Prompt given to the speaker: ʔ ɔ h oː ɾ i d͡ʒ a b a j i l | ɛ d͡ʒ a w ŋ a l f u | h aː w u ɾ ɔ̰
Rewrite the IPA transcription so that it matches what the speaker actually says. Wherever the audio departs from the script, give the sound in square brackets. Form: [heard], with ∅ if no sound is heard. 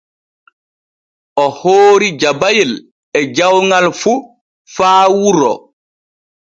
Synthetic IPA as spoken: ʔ ɔ h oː ɾ i d͡ʒ a b a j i l | ɛ d͡ʒ a w ŋ a l f u | [f] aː w u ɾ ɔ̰